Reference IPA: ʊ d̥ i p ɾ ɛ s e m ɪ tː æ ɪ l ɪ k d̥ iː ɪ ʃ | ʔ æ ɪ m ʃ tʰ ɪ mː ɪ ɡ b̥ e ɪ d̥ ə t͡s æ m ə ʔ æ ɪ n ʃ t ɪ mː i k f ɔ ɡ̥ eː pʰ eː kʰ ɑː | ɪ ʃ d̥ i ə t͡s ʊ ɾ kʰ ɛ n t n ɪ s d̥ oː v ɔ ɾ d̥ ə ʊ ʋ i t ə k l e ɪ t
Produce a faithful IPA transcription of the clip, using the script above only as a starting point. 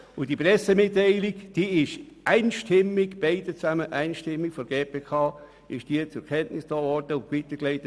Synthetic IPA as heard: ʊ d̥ i p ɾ ɛ s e m ɪ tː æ ɪ l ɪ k d̥ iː ɪ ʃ | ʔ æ ɪ n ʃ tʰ ɪ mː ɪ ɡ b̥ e ɪ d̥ ə t͡s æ m ə ʔ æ ɪ n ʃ t ɪ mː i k f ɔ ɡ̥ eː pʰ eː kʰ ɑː | ɪ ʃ d̥ i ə t͡s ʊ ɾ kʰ ɛ n t n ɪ s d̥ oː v ɔ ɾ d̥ ə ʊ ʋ i t ə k l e ɪ t